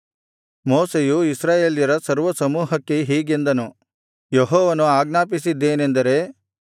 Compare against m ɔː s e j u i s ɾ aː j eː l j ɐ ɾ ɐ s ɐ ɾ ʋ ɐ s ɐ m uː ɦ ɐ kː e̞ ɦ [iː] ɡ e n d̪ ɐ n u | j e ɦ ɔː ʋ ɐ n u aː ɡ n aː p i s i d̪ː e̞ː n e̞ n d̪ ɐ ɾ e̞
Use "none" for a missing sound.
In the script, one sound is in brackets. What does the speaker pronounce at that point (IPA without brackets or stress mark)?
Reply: iː